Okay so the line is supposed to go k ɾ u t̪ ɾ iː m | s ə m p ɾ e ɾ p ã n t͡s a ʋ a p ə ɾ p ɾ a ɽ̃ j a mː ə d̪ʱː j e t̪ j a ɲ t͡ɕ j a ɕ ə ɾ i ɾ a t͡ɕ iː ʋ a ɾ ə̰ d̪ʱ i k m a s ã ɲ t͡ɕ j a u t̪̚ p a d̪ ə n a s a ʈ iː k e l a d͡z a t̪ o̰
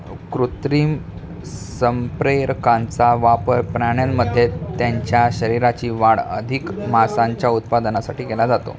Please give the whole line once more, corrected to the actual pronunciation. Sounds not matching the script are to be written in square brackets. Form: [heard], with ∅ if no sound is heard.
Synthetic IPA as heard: k ɾ u t̪ ɾ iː m | s ə m p ɾ e ɾ [k] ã n t͡s a ʋ a p ə ɾ p ɾ a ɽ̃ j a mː ə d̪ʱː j e t̪ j a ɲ t͡ɕ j a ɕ ə ɾ i ɾ a t͡ɕ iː ʋ a [ɽ] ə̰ d̪ʱ i k m a s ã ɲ t͡ɕ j a u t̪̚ p a d̪ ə n a s a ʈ iː k e l a d͡z a t̪ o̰